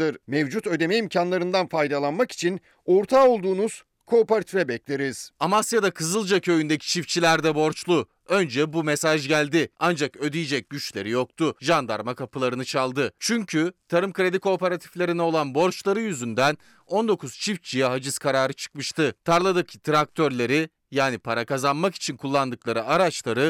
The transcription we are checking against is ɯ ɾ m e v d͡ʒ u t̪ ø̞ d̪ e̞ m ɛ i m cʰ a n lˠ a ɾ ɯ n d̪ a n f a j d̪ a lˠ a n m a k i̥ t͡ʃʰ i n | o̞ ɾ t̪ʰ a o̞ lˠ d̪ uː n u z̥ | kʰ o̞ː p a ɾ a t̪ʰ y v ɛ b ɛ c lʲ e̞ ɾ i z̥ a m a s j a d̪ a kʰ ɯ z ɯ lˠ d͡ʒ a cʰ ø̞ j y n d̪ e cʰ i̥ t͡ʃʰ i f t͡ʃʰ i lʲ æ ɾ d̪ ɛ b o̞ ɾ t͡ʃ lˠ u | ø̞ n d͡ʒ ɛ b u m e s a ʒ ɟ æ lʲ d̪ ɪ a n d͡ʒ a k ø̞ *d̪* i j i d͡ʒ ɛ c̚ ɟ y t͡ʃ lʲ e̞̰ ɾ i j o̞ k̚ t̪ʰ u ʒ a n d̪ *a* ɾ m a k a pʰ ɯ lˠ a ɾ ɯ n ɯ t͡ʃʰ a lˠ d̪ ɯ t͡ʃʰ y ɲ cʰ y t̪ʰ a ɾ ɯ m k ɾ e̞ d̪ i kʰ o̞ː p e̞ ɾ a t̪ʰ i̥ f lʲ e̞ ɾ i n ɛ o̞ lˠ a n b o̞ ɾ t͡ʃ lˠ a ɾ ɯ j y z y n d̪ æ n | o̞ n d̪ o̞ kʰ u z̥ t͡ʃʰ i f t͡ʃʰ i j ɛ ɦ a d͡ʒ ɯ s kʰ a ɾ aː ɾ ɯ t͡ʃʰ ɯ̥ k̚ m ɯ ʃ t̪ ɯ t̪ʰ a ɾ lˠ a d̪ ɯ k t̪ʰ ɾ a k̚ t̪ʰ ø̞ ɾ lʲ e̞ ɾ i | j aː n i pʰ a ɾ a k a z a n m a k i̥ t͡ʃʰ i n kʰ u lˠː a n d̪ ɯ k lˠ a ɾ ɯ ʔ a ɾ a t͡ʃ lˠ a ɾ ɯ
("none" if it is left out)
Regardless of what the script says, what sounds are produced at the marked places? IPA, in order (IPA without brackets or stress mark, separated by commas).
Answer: d̪, a